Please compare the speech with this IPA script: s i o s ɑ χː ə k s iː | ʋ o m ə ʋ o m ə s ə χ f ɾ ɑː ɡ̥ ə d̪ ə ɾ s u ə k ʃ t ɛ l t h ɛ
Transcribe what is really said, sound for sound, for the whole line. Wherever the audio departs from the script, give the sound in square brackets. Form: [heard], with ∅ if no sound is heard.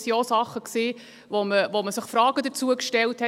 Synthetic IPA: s i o s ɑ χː ə k s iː | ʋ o m ə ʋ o m ə s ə χ f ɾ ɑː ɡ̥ ə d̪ ə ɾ [t͡s] u ə k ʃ t ɛ l t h ɛ